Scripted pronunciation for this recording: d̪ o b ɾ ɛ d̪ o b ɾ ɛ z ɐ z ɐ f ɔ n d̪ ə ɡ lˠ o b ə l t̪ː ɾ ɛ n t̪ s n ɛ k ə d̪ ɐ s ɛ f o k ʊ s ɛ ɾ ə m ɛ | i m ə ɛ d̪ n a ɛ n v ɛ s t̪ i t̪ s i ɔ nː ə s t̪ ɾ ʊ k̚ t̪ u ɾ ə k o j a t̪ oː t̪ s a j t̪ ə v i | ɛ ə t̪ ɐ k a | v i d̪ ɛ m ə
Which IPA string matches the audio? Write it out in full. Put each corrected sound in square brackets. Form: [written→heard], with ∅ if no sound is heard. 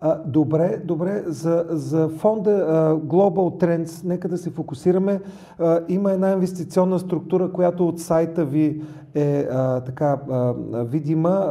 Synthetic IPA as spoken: d̪ o b ɾ ɛ d̪ o b ɾ ɛ z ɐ z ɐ f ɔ n d̪ ə ɡ lˠ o b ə l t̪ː ɾ ɛ n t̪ s n ɛ k ə d̪ ɐ s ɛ f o k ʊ s [ɛ→i] ɾ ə m ɛ | i m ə ɛ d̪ n a [ɛ→i] n v ɛ s t̪ i t̪ s i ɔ nː ə s t̪ ɾ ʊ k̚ t̪ u ɾ ə k o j a t̪ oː t̪ s a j t̪ ə v i | ɛ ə t̪ ɐ k a | v i d̪ [ɛ→i] m ə